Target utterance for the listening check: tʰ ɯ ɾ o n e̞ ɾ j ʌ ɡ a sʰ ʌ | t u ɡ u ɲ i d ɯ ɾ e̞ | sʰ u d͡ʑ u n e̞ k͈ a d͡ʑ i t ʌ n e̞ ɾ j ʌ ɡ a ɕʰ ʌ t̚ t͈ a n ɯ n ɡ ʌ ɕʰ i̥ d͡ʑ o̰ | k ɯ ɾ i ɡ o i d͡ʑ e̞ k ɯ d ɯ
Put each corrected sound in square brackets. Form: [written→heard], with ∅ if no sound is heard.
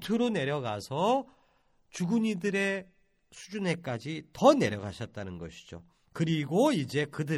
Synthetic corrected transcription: tʰ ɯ ɾ o n e̞ ɾ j ʌ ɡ a sʰ ʌ | [t→t͡ɕ] u ɡ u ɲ i d ɯ ɾ e̞ | sʰ u d͡ʑ u n e̞ k͈ a d͡ʑ i t ʌ n e̞ ɾ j ʌ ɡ a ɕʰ ʌ t̚ t͈ a n ɯ n ɡ ʌ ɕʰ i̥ d͡ʑ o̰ | k ɯ ɾ i ɡ o i d͡ʑ e̞ k ɯ d ɯ